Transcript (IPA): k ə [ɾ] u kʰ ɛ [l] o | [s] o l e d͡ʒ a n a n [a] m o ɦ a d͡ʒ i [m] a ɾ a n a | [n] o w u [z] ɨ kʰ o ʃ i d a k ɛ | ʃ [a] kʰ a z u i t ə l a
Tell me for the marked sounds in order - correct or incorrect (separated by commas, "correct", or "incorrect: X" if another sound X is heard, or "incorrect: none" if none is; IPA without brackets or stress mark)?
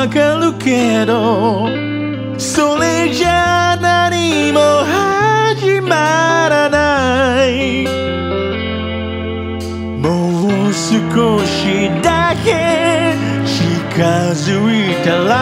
incorrect: l, incorrect: ɾ, correct, incorrect: i, correct, incorrect: m, incorrect: s, incorrect: i